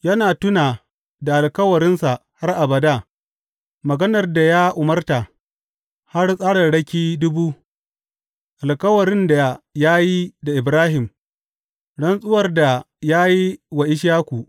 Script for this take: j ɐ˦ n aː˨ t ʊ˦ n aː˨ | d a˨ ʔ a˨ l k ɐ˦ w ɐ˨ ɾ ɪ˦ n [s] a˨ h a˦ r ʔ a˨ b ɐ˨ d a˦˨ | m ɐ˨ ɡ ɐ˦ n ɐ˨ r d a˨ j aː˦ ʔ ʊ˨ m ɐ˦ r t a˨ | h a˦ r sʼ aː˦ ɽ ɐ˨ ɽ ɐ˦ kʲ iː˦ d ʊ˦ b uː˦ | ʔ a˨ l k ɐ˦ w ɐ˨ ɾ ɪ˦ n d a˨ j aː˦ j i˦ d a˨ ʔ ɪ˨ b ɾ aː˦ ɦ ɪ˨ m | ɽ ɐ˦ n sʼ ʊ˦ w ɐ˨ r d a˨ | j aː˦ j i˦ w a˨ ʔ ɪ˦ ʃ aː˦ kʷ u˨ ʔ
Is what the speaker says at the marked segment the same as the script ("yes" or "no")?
yes